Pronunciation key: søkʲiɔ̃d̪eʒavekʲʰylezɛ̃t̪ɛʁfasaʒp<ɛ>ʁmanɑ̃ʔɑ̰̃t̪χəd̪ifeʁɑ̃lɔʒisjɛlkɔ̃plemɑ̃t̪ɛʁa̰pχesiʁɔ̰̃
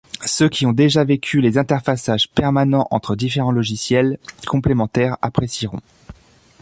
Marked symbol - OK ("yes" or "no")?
yes